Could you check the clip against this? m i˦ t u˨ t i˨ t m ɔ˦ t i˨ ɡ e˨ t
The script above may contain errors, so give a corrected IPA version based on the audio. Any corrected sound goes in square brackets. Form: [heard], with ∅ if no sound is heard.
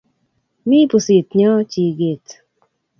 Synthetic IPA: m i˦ [p] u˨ [s] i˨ t [ɲ] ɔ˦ [t͡ʃ] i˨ ɡ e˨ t